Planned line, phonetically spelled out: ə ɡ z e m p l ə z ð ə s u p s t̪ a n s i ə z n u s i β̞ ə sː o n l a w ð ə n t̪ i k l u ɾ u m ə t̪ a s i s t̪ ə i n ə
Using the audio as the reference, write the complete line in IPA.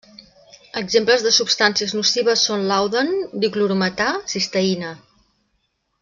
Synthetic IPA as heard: ə ɡ z e m p l ə z ð ə s u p s t̪ a n s i ə z n u s i β̞ ə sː o n l a w ð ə n d̪ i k l u ɾ u m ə t̪ a s i s t̪ ə i n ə